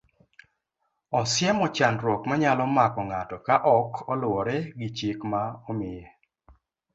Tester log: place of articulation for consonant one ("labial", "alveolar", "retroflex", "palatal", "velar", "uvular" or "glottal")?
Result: alveolar